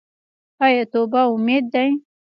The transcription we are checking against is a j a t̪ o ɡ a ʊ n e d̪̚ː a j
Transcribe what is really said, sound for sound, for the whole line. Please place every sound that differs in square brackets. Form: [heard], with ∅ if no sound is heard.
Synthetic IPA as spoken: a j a t̪ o [b] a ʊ [m] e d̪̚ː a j

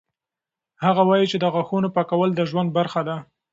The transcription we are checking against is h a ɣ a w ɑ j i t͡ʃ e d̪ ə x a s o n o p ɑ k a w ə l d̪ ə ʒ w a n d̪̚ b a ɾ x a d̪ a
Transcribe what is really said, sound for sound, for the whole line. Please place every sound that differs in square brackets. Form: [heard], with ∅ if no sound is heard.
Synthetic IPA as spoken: h a ɣ a w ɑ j i t͡ʃ e d̪ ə [ɣ] a [x] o n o p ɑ k a w ə l d̪ ə ʒ w a n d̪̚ b a ɾ x a d̪ a

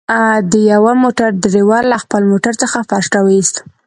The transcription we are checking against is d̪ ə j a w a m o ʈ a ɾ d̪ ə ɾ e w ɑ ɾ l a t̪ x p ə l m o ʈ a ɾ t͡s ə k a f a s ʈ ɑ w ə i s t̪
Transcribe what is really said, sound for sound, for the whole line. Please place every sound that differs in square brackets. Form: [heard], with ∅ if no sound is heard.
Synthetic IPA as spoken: d̪ ə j a w a m o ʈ a ɾ d̪ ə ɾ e w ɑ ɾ l a [∅] x p ə l m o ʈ a ɾ t͡s ə [x] a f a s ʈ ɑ w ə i s t̪

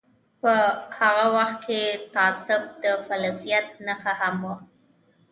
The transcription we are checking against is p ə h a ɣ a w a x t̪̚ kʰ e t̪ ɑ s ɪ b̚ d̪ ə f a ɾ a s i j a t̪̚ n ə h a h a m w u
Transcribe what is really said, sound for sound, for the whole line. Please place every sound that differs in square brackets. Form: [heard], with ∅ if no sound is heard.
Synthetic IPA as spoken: p ə h a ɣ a w a x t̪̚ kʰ e t̪ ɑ s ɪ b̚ d̪ ə f a [l] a s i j a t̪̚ n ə [x] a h a m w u

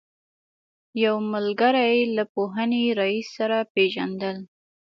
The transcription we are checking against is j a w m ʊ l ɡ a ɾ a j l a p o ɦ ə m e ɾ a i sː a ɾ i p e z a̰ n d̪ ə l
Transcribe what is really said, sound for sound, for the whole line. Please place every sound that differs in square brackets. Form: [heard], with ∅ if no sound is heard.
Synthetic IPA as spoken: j a w m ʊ l ɡ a ɾ a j l a p o ɦ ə [n] e ɾ a i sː a ɾ [a] p e [ʒ] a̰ n d̪ ə l

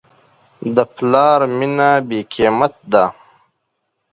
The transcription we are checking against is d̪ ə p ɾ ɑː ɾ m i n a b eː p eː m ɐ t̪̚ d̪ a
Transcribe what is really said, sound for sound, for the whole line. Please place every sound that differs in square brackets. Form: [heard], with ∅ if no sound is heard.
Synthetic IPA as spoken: d̪ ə p [l] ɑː ɾ m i n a b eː [k] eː m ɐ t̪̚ d̪ a

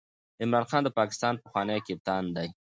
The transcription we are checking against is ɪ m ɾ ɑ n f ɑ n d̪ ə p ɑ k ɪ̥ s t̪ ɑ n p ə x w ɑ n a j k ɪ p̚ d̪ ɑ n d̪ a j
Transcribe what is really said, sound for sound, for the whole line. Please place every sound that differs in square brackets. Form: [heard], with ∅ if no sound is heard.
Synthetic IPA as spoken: ɪ m ɾ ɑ n [x] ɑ n d̪ ə p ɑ k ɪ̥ s t̪ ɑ n p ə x w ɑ n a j k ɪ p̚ [t̪] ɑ n d̪ a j

